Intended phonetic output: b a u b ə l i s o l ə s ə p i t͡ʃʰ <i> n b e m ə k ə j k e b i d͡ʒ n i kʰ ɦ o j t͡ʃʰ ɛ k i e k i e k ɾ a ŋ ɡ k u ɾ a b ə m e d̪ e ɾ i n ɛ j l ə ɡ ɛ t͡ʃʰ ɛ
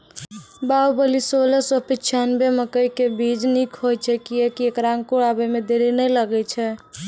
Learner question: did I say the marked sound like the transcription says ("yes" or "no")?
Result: no